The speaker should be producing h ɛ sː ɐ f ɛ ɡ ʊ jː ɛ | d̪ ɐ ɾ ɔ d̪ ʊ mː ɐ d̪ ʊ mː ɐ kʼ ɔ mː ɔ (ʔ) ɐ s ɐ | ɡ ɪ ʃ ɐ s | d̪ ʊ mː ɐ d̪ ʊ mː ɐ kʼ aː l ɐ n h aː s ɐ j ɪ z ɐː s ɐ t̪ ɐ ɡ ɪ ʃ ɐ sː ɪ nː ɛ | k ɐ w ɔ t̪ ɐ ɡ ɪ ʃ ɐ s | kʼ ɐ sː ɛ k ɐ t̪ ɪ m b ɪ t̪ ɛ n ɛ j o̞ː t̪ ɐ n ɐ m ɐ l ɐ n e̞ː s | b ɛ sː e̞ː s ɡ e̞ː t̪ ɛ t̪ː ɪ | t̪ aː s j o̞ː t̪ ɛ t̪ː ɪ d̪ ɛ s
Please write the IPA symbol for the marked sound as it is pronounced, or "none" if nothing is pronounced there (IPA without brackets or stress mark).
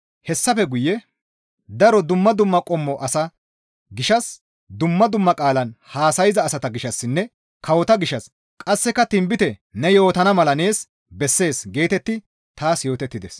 ʔ